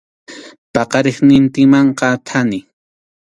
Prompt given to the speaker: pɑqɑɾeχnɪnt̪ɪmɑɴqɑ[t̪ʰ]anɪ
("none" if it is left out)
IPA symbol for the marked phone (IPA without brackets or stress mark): t̪ʰ